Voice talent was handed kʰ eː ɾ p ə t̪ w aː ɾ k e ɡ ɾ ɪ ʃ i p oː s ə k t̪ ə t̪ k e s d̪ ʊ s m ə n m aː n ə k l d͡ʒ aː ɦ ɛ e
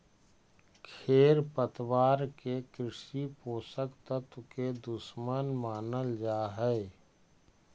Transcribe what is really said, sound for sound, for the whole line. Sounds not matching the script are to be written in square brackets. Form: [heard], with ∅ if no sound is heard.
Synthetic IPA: kʰ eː ɾ p ə t̪ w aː ɾ k e [k] ɾ ɪ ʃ i p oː s ə k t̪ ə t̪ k e [∅] d̪ ʊ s m ə n m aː n ə [∅] l d͡ʒ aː ɦ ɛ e

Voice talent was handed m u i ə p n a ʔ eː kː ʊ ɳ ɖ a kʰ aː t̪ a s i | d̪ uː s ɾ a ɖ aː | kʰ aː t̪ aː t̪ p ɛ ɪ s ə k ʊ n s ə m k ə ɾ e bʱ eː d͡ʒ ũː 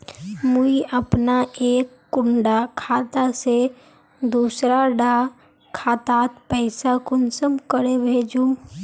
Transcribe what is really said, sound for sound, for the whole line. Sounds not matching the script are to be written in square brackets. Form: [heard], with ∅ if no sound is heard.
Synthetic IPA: m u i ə p n a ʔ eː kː ʊ ɳ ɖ a kʰ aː t̪ a s [e] | d̪ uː s ɾ a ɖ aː | kʰ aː t̪ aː t̪ p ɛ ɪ s [a] k ʊ n s ə m k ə ɾ e bʱ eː d͡ʒ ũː

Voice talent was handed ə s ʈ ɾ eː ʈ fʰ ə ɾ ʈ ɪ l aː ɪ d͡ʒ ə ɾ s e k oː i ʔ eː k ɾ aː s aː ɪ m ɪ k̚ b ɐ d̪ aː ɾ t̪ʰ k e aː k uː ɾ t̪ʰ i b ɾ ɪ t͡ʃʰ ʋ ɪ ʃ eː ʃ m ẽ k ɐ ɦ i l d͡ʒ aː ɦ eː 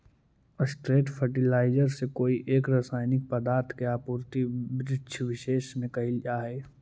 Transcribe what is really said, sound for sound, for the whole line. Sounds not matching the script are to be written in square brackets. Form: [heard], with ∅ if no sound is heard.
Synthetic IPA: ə s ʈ ɾ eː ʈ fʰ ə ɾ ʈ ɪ l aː ɪ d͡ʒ ə ɾ s e k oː i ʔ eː k ɾ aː s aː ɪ [n] ɪ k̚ [p] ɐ d̪ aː ɾ t̪ʰ k e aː [p] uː ɾ [t̪] i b ɾ ɪ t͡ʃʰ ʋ ɪ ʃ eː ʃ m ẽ k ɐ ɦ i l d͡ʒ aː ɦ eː

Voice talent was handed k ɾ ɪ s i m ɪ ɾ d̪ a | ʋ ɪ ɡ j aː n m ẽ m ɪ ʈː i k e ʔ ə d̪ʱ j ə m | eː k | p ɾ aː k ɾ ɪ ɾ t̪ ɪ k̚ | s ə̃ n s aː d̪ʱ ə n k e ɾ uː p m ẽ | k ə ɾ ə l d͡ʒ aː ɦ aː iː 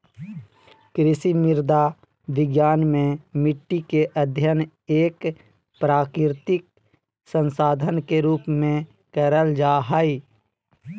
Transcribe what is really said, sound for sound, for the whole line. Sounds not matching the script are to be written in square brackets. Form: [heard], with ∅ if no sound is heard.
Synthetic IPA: k ɾ ɪ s i m ɪ ɾ d̪ a | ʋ ɪ ɡ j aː n m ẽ m ɪ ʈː i k e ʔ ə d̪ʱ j ə [n] | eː k | p ɾ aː k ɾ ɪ ɾ t̪ ɪ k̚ | s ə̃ n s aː d̪ʱ ə n k e ɾ uː p m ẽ | k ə ɾ ə l d͡ʒ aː ɦ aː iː

